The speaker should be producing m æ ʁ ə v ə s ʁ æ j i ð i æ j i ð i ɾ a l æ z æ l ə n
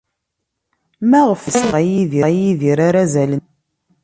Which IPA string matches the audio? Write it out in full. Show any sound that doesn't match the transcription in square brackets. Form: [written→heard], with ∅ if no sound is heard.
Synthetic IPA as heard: m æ ʁ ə [v→f] ə s ʁ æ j i ð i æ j i ð i ɾ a [l→ɾ] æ z æ l ə n